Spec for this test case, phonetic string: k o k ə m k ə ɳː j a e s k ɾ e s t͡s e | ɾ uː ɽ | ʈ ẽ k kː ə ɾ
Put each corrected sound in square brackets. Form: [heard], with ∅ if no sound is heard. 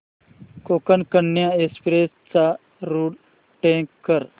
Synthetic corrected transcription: k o k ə [n] k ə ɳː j a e s [p] ɾ e s t͡s [a] | ɾ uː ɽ | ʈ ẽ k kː ə ɾ